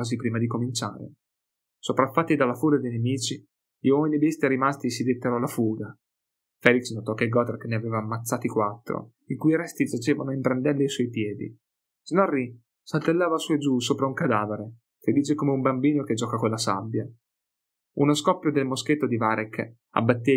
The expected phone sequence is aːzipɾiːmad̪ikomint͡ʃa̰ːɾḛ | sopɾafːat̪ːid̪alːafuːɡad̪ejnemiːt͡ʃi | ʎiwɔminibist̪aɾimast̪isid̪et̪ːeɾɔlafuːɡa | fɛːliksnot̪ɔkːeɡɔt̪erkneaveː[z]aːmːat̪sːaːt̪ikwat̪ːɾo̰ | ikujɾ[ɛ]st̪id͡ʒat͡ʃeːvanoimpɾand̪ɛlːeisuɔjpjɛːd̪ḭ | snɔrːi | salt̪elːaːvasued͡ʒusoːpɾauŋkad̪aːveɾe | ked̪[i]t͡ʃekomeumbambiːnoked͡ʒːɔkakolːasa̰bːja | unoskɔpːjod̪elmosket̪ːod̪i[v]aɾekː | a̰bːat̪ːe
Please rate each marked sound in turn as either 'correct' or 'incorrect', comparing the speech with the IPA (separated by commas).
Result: incorrect, correct, incorrect, correct